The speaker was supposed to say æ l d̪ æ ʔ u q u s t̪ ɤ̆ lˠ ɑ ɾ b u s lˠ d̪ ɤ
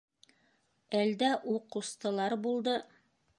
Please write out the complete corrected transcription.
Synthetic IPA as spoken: æ l d̪ æ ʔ u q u s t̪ ɤ̆ lˠ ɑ ɾ b u lˠ d̪ ɤ